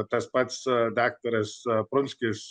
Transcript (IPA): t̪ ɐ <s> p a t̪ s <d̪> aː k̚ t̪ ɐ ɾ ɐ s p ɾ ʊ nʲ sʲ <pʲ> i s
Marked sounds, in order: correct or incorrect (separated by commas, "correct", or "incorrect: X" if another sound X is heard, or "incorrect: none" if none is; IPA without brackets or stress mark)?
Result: correct, correct, incorrect: kʲ